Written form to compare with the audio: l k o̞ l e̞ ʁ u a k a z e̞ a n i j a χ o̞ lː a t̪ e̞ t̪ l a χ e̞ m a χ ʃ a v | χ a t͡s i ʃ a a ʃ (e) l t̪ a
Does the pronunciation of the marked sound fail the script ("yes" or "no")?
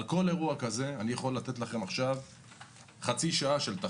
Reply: no